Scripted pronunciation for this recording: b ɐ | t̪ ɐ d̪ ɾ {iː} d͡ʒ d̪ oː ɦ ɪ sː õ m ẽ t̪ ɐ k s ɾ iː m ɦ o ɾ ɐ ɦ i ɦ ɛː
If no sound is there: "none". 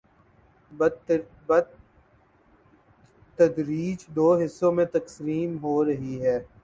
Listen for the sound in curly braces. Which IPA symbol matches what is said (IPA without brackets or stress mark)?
iː